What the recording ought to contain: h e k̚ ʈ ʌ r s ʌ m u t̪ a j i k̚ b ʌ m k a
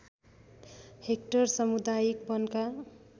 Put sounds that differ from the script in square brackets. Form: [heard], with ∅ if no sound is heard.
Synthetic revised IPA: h e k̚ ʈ ʌ r s ʌ m u [d̪] a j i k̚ b ʌ [n] k a